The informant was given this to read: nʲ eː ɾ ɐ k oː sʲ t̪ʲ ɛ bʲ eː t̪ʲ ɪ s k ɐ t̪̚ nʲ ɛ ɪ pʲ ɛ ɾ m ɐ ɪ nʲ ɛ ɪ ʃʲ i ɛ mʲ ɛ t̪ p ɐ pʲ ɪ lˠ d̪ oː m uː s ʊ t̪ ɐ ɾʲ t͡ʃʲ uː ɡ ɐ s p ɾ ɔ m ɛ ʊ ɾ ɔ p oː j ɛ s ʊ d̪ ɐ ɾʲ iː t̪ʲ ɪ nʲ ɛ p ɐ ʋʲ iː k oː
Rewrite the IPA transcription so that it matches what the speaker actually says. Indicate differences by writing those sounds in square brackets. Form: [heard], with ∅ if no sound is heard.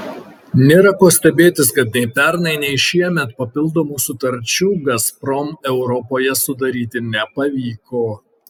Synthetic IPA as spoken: nʲ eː ɾ ɐ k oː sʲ t̪ʲ ɛ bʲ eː t̪ʲ ɪ s k ɐ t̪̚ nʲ ɛ ɪ pʲ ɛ ɾ [n] ɐ ɪ nʲ ɛ ɪ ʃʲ i ɛ mʲ ɛ t̪ p ɐ pʲ ɪ lˠ d̪ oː m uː s ʊ t̪ ɐ ɾʲ t͡ʃʲ uː ɡ ɐ s p ɾ ɔ m ɛ ʊ ɾ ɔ p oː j ɛ s ʊ d̪ ɐ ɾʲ iː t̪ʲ ɪ nʲ ɛ p ɐ ʋʲ iː k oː